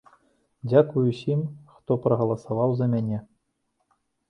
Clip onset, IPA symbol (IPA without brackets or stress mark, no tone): dʲ